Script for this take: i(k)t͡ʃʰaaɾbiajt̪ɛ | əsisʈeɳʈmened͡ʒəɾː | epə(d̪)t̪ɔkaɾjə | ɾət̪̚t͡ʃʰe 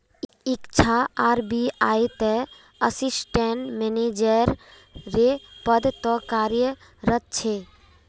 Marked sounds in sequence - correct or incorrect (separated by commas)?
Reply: correct, correct